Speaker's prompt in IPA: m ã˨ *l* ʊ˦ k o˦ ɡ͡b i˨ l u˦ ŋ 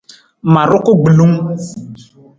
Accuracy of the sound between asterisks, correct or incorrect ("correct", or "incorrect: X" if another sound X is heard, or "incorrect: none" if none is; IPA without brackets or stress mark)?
incorrect: ɾ